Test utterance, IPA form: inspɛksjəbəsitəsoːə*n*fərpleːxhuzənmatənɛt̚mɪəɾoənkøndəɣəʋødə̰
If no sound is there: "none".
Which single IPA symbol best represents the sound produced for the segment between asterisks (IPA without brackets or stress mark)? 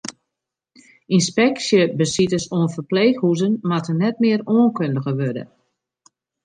n